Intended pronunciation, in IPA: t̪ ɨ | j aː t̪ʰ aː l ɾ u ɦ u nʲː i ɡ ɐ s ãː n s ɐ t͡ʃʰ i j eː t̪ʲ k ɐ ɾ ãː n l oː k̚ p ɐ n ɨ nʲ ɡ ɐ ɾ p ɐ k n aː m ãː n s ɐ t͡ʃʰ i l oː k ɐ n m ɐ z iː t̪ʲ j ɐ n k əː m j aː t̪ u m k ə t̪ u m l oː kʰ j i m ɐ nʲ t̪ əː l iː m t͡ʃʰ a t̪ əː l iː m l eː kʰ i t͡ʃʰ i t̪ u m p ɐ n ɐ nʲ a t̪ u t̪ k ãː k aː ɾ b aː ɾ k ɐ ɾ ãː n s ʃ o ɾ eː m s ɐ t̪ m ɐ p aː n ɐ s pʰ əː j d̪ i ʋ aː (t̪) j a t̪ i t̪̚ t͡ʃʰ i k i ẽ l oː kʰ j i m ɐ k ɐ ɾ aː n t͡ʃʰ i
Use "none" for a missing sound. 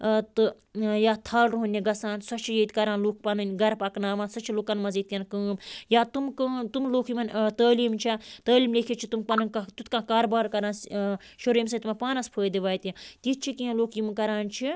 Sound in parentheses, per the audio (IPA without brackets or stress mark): t̪